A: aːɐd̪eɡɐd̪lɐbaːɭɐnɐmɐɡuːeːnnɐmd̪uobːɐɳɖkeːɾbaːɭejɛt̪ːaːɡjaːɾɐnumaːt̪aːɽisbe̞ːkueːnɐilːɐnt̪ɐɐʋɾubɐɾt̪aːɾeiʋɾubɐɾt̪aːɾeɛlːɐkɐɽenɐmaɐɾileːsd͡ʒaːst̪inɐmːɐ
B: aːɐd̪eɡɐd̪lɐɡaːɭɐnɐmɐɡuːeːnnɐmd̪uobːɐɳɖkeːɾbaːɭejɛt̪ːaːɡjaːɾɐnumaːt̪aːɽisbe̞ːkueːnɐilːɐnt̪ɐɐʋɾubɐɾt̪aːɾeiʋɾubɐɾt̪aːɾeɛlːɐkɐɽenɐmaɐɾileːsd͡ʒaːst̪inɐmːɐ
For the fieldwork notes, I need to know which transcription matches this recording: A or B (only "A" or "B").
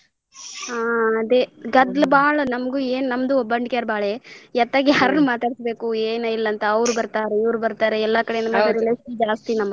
A